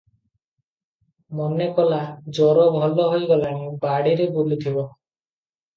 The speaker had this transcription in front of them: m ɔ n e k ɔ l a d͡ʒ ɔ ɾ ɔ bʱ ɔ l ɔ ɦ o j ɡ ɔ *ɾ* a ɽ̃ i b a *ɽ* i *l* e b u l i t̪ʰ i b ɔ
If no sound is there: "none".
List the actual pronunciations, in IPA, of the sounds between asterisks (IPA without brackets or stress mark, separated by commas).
l, ɽ, ɾ